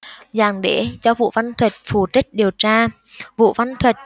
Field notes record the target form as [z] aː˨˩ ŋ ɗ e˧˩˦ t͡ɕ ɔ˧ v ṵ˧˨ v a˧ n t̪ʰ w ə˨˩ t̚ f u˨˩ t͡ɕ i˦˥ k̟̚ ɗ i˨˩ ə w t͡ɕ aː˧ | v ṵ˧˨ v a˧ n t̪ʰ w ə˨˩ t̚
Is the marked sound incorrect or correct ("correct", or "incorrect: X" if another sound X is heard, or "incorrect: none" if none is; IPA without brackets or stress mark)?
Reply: correct